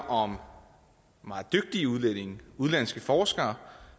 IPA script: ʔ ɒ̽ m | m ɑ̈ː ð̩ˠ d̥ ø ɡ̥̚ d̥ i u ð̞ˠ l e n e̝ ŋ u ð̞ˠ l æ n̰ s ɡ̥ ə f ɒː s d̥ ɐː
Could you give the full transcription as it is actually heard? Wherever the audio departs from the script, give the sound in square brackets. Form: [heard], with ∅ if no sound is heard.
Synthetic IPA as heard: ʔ ɒ̽ m | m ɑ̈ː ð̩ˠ d̥ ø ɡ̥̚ d̥ i u ð̞ˠ l e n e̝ ŋ u ð̞ˠ l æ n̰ s ɡ̥ ə f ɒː s [ɡ̥] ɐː